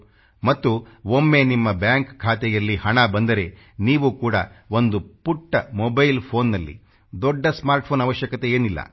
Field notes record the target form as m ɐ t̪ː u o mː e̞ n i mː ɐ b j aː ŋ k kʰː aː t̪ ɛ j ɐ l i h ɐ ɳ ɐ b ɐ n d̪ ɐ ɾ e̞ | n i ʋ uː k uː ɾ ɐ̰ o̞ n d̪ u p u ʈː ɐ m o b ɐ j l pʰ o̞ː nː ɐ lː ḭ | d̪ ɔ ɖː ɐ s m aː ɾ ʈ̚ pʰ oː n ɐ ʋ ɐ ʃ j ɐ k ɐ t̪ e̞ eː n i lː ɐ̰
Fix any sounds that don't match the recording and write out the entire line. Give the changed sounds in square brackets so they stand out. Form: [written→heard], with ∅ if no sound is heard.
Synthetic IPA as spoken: m ɐ t̪ː u o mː e̞ n i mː ɐ b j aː ŋ k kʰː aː t̪ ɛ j ɐ [l→lː] i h ɐ ɳ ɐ b ɐ n d̪ ɐ ɾ e̞ | n [i→iː] ʋ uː k uː [ɾ→ɽ] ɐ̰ o̞ n d̪ u p u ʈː ɐ m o b ɐ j l pʰ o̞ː nː ɐ lː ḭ | d̪ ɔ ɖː ɐ s m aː ɾ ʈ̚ pʰ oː n ɐ ʋ ɐ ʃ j ɐ k ɐ t̪ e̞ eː n i lː ɐ̰